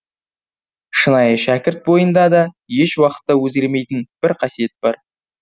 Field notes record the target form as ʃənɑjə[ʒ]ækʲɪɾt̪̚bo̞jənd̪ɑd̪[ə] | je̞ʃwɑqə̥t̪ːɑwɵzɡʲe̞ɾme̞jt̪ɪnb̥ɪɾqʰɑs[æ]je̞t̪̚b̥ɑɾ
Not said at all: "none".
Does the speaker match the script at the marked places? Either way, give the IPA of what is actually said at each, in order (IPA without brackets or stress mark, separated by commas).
ʃ, ɑ, i